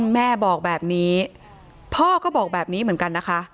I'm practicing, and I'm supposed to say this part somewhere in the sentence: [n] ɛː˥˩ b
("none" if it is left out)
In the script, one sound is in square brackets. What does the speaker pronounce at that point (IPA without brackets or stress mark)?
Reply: m